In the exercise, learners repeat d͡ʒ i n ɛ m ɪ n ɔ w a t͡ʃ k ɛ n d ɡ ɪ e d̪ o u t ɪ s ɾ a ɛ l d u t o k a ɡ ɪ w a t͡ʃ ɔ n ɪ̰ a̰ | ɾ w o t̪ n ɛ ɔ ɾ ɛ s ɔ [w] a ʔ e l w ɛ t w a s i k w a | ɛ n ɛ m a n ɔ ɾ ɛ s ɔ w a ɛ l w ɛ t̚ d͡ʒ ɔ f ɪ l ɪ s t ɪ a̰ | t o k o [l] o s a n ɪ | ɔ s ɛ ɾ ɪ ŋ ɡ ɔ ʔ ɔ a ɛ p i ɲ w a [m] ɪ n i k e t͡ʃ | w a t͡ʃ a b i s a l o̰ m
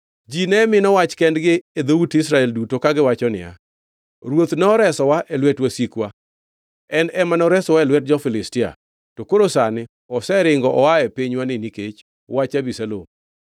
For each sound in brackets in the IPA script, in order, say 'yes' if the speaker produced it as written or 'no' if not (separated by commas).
yes, no, no